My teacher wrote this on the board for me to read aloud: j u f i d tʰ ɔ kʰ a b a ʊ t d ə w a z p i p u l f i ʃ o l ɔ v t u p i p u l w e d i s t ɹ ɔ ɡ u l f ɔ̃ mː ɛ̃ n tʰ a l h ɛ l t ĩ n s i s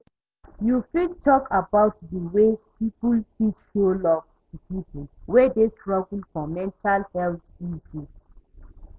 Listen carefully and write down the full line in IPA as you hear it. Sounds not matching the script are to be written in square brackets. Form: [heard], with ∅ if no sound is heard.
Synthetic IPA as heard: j u f i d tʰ ɔ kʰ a b a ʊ t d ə w [e] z p i p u l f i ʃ o l ɔ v t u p i p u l w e d [e] s t ɹ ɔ ɡ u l f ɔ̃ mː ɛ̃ n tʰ a l h ɛ l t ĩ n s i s